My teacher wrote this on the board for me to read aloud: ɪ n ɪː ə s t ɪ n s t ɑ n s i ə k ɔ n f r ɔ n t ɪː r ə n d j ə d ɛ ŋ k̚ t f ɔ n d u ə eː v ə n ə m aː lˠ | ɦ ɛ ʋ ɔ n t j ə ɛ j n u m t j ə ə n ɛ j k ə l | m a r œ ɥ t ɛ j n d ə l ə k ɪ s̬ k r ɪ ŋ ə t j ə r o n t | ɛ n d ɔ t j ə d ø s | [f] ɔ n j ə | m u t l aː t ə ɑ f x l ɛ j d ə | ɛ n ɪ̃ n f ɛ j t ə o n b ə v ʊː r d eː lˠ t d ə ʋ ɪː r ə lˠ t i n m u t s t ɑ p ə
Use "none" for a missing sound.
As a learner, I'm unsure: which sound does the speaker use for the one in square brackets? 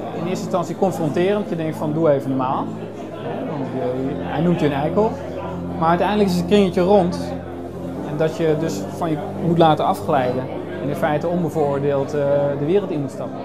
f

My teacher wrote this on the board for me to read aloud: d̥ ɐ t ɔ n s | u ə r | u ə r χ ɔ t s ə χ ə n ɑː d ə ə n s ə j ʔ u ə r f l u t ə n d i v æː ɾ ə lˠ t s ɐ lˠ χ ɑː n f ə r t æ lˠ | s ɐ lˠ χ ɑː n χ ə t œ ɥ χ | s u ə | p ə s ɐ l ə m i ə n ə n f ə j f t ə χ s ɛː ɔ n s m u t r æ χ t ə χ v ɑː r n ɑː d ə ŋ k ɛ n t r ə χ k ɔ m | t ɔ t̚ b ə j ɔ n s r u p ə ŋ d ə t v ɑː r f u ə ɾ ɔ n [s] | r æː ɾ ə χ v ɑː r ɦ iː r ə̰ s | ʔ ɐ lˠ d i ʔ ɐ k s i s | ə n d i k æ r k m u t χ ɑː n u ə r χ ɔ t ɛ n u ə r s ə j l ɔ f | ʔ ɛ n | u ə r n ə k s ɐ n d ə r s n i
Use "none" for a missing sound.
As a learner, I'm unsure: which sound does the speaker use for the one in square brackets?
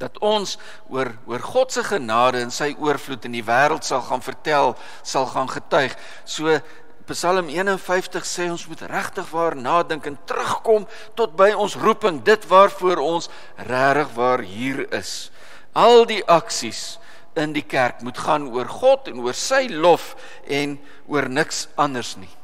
s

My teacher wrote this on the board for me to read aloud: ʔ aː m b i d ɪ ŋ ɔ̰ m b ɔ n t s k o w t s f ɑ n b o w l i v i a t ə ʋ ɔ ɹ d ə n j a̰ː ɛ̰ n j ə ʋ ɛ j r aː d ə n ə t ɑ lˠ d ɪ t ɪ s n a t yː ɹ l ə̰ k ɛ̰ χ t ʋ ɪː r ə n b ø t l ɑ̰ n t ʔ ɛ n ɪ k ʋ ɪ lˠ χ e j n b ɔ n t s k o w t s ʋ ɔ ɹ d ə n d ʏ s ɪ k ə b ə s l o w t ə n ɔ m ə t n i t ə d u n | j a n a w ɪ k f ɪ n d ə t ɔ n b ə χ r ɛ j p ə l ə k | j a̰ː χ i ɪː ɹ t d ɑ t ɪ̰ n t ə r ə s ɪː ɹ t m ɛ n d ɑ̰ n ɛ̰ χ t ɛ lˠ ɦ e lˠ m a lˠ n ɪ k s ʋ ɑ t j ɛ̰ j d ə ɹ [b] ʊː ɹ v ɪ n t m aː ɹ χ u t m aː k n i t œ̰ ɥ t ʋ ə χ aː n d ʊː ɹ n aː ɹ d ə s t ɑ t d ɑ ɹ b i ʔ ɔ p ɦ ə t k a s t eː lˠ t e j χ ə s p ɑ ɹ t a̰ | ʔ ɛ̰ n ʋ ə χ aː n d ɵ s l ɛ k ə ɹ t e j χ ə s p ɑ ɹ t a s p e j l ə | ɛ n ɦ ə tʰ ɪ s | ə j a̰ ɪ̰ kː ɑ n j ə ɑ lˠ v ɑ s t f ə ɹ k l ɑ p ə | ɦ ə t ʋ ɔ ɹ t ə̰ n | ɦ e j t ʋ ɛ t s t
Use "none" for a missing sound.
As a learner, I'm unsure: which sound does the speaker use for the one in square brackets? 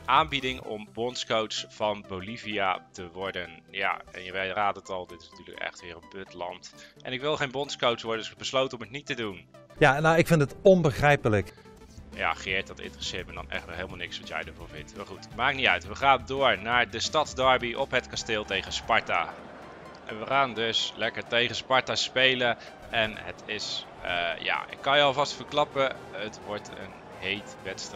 v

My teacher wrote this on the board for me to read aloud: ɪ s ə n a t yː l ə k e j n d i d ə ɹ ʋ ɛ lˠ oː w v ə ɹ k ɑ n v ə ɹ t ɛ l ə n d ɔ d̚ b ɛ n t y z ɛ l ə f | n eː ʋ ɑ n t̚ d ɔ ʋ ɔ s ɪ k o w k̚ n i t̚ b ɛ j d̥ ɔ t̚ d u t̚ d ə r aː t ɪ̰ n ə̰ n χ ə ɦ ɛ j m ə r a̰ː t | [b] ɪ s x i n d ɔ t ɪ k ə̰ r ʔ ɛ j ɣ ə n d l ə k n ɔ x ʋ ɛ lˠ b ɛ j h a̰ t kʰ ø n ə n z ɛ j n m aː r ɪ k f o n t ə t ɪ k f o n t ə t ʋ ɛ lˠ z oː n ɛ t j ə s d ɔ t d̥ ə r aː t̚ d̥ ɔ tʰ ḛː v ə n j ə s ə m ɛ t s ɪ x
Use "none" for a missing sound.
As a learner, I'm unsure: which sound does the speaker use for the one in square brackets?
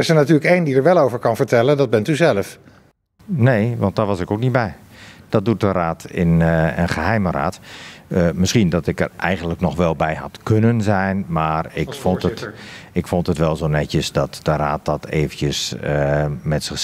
m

